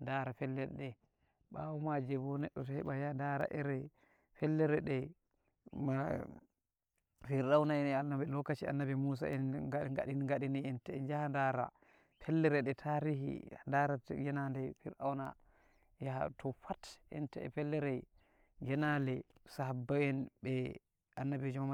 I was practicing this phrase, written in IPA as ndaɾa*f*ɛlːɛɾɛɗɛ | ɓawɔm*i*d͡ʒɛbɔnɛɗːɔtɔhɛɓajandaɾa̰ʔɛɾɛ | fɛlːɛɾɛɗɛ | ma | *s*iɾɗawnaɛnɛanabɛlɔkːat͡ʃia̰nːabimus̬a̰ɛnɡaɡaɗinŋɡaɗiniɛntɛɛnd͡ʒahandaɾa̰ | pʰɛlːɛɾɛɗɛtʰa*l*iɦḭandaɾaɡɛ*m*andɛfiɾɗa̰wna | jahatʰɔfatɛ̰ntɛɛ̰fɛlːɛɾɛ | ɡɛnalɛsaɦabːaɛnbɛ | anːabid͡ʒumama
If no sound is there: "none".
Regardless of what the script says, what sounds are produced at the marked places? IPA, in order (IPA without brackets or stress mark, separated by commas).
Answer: f, a, f, ɾ, n